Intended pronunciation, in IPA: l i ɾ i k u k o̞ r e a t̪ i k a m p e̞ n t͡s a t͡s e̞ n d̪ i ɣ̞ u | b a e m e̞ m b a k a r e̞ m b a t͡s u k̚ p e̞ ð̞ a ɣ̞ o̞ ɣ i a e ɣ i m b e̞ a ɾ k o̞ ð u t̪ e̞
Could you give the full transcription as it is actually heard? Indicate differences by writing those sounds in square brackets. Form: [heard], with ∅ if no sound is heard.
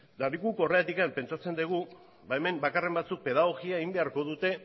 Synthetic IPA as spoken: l [a] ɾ i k u k o̞ r e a t̪ i k a m p e̞ n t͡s a t͡s e̞ n d̪ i ɣ̞ u | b a e m e̞ m b a k a r e̞ m b a t͡s u k̚ p e̞ ð̞ a ɣ̞ o̞ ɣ i a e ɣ i m b e̞ a ɾ k o̞ ð u t̪ e̞